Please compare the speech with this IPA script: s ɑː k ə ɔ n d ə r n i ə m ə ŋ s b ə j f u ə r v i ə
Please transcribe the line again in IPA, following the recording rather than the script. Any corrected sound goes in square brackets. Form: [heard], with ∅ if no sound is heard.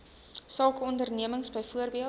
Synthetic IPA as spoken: s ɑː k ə ɔ n d ə r n i ə m ə ŋ s b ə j f u ə r [b] i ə